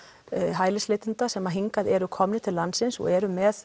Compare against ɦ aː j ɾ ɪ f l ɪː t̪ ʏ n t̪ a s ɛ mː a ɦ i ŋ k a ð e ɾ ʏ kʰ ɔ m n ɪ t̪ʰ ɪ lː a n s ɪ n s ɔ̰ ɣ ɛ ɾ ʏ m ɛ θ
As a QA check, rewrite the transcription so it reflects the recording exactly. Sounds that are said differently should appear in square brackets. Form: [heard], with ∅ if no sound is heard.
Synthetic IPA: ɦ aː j [l] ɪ [s] l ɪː t̪ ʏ n t̪ a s ɛ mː a ɦ i ŋ k a ð [ɛ] ɾ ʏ kʰ ɔ m n ɪ t̪ʰ ɪ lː a n s ɪ n s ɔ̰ ɣ ɛ ɾ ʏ m ɛ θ